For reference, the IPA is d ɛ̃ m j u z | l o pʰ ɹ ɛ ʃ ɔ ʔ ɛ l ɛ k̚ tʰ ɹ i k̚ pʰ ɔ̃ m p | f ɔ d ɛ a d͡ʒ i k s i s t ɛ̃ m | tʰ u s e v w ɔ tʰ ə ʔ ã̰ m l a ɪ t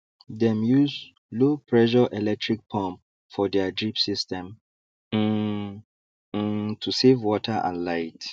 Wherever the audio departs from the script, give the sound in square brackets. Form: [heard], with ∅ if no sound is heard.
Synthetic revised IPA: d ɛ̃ m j u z | l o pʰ ɹ ɛ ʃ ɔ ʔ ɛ l ɛ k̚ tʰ ɹ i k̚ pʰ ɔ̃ m p | f ɔ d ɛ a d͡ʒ i [p] s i s t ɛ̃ m | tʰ u s e v w ɔ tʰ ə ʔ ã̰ [n] l a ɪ t